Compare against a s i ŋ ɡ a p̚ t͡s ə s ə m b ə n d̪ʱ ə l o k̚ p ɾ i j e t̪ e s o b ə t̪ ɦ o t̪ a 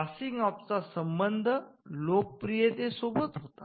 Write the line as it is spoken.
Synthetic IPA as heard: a s i ŋ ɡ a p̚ t͡s a s ə m b ə n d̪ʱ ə l o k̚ p ɾ i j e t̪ e s o b ə t̪ ɦ o t̪ a